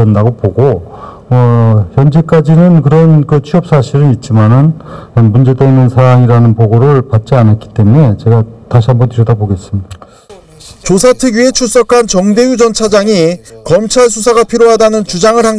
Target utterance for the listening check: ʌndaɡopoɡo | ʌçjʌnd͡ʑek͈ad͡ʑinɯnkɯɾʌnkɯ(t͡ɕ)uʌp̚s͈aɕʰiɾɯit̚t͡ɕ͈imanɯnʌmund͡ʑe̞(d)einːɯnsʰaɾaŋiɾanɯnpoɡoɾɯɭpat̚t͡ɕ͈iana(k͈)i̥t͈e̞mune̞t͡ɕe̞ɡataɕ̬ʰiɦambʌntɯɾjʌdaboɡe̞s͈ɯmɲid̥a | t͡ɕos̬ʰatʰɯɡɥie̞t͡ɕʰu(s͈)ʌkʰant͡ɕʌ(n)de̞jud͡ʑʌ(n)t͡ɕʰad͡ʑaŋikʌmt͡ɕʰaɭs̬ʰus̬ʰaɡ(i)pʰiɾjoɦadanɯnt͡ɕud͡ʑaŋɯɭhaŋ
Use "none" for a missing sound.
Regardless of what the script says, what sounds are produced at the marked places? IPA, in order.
t͡ɕʰ, d, k͈, s͈, ŋ, n, a

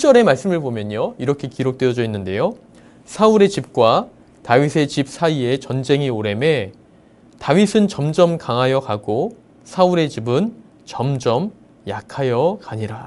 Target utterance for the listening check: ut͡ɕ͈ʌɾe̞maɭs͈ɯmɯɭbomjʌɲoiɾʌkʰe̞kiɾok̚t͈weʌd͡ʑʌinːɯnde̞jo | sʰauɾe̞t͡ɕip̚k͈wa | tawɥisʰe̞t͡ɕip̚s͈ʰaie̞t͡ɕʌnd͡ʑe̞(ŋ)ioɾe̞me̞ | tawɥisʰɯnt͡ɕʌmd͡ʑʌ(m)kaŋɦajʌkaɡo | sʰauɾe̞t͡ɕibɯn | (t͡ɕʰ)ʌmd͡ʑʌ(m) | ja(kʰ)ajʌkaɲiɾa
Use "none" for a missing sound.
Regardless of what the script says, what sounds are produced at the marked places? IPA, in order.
ŋ, m, t͡ɕ, m, kʰ

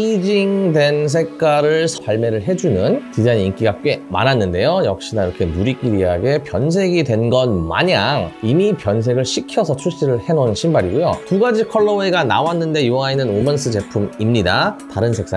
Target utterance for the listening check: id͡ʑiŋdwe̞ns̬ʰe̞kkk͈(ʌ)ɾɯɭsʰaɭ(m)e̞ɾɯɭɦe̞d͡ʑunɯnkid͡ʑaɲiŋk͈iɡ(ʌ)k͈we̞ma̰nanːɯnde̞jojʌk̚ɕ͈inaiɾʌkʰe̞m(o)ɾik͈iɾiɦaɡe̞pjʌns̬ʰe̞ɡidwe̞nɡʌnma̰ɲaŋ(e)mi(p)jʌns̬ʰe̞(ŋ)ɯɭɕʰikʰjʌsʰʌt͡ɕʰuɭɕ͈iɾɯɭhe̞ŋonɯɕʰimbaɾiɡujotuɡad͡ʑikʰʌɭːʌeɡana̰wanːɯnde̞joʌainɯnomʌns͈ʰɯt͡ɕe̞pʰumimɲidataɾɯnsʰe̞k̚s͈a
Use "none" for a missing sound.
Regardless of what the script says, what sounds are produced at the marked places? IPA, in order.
a, m, a, u, i, p, ɡ

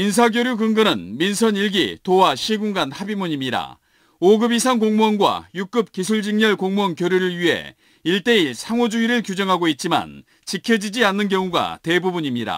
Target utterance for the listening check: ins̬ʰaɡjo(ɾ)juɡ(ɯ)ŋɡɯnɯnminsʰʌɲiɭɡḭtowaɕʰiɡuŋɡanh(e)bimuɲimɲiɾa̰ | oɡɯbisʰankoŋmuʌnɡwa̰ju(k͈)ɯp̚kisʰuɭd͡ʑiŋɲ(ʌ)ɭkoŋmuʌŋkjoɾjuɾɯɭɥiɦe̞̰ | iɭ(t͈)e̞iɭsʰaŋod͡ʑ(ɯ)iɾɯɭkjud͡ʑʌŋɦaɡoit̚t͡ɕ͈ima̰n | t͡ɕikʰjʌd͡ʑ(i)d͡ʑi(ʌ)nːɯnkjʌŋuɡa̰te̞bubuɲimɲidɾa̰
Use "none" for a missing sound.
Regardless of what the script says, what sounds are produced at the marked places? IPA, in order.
ɾ, ɯ, a, k͈, ʌ, t͈, u, i, a

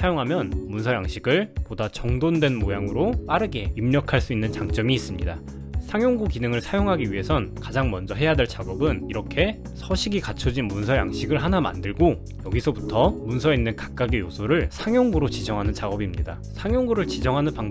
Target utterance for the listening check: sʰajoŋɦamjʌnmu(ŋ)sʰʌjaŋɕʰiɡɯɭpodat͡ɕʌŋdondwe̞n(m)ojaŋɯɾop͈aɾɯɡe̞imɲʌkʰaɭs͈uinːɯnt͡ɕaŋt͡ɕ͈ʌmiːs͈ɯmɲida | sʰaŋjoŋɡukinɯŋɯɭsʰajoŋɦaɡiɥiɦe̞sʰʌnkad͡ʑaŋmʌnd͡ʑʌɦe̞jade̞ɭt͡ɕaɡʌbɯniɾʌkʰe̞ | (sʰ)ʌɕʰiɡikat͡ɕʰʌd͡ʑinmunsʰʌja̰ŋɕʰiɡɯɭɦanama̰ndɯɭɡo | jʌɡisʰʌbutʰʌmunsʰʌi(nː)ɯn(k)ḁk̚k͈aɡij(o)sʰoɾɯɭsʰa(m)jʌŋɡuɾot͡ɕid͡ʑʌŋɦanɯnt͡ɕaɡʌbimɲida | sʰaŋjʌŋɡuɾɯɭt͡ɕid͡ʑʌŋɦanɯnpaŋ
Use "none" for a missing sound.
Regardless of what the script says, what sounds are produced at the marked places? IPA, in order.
n, m, sʰ, nː, k, o, ŋ

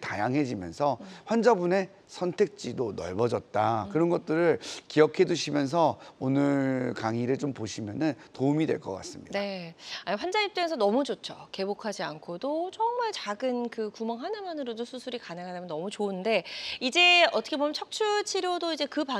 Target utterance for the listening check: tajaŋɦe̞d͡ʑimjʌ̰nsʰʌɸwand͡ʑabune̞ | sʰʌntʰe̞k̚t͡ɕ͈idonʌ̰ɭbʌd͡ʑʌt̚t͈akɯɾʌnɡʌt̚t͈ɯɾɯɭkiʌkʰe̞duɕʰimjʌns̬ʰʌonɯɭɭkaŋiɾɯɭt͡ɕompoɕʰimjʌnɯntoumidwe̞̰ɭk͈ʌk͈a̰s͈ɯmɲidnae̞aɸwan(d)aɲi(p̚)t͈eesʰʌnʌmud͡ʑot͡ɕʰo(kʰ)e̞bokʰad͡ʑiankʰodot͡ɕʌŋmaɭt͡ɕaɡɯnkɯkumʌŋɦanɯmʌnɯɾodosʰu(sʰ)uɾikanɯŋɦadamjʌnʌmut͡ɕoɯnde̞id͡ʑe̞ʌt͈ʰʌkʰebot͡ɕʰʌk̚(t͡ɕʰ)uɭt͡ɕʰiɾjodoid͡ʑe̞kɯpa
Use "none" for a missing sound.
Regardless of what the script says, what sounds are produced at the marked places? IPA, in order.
d͡ʑ, p̚, k, sʰ, t͡ɕʰ

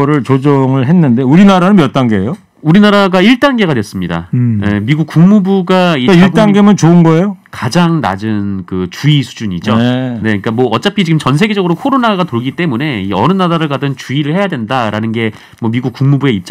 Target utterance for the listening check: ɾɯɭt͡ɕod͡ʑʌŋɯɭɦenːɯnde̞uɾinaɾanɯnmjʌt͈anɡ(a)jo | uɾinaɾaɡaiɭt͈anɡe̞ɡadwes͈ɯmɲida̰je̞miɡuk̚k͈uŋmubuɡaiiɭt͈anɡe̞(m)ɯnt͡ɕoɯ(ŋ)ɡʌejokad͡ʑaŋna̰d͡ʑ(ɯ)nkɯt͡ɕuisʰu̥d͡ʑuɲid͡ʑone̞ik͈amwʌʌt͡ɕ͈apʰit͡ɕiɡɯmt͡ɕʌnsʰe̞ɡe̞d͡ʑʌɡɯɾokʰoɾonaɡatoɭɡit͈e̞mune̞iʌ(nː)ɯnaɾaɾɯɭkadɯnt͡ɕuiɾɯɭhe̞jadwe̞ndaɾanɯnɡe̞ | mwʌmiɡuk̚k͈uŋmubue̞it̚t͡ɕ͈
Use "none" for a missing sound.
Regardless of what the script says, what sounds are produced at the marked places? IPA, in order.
e, m, n, ɯ, n

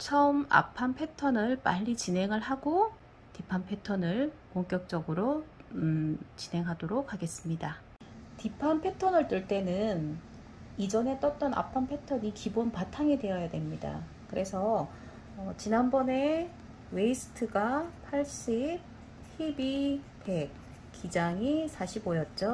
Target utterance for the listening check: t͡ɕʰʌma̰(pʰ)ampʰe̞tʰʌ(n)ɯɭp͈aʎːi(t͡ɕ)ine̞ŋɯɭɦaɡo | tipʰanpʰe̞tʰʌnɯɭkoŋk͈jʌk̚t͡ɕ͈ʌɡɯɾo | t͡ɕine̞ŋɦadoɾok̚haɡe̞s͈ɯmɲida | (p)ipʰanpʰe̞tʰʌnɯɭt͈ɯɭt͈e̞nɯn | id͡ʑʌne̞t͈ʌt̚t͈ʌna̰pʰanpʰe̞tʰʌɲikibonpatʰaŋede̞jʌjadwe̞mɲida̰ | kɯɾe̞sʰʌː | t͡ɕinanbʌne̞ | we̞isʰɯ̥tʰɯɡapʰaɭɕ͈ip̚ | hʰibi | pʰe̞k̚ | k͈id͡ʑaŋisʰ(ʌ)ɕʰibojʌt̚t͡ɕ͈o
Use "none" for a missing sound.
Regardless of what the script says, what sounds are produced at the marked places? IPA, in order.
pʰ, n, t͡ɕ, t, a

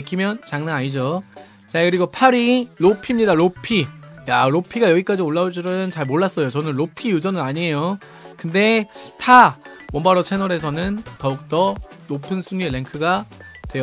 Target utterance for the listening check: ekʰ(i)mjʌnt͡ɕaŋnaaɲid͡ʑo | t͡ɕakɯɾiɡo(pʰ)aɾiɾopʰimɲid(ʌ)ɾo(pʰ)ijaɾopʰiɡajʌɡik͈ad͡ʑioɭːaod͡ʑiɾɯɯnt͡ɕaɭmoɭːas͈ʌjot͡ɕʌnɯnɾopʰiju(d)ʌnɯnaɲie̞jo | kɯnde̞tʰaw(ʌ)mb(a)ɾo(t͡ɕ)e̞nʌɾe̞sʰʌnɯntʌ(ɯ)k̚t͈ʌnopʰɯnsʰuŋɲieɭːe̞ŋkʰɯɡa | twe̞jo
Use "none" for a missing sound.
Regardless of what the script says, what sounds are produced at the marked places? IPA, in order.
i, pʰ, a, pʰ, d͡ʑ, ʌ, a, t͡ɕʰ, u

